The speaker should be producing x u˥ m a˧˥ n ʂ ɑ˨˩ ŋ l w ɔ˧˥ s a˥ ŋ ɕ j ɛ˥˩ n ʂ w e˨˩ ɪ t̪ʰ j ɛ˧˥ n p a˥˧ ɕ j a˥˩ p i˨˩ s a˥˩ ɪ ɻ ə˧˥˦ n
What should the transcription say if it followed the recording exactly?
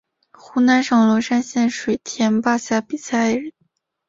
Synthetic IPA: x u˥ n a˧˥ n ʂ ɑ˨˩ ŋ l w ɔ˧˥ ʂ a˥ n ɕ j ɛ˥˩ n ʂ w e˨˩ ɪ t̪ʰ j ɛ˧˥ n p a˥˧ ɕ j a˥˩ p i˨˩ s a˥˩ ɪ ɻ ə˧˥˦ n

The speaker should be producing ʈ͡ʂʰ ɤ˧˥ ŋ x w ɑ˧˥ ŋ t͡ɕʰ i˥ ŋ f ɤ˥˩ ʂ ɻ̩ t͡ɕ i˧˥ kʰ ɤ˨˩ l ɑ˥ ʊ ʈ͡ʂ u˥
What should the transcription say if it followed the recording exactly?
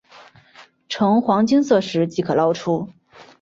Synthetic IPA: ʈ͡ʂʰ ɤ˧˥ ŋ x w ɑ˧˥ ŋ t͡ɕ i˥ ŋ s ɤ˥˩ ʂ ɻ̩ t͡ɕ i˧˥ kʰ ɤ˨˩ l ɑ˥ ʊ ʈ͡ʂʰ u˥

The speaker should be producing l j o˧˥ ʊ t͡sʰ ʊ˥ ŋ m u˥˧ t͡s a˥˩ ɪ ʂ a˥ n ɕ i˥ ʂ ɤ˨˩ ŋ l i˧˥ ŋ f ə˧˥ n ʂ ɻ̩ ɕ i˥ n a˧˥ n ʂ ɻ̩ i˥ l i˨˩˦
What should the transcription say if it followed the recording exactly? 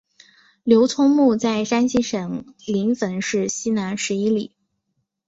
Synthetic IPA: l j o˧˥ ʊ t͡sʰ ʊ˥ ŋ m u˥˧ t͡s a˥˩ ɪ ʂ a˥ n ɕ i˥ ʂ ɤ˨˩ ŋ l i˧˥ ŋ f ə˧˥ n ʂ ɻ̩ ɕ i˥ n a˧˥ n ʂ ɻ̩ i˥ l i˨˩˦

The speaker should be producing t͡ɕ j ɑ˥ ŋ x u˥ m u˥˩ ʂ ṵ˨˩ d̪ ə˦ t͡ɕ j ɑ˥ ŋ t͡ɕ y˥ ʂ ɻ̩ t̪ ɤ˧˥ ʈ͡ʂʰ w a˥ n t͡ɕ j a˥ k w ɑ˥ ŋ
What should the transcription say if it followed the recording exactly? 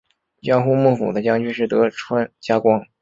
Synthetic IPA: t͡ɕ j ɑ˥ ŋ x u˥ m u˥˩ f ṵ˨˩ d̪ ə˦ t͡ɕ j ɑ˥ ŋ t͡ɕ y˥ ʂ ɻ̩ t̪ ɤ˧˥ ʈ͡ʂʰ w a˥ n t͡ɕ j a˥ k w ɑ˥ ŋ

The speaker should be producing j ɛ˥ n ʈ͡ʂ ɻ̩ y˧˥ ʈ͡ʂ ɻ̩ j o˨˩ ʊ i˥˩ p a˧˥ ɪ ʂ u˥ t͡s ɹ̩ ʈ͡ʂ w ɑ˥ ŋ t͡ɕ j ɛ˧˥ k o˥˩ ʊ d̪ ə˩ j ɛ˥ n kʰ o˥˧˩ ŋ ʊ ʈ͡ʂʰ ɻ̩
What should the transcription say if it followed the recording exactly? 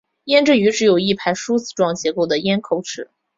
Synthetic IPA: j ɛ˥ n ʈ͡ʂ ɻ̩ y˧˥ ʈ͡ʂ ɻ̩ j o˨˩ ʊ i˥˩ pʰ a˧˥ ɪ ʂ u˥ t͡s ɹ̩ ʈ͡ʂ w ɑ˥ ŋ t͡ɕ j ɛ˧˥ k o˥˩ ʊ d̪ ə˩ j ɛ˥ n kʰ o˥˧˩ ʊ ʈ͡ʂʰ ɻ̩

